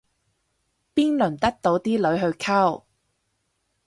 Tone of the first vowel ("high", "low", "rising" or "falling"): high